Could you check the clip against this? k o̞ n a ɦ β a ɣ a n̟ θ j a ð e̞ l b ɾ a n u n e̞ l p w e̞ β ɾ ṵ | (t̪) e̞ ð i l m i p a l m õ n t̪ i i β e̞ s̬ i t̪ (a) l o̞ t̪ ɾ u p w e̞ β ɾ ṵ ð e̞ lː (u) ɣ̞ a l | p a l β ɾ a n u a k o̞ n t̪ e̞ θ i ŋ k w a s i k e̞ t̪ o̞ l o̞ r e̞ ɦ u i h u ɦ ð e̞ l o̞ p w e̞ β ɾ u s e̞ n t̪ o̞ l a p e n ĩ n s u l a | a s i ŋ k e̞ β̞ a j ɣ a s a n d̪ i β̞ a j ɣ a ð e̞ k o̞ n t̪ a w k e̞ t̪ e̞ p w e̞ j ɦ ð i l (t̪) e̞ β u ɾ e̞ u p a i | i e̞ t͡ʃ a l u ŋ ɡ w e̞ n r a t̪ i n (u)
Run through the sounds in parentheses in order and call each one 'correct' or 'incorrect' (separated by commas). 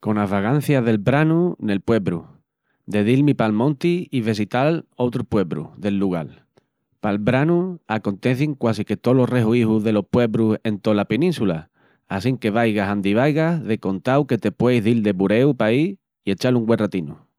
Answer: incorrect, correct, correct, incorrect, correct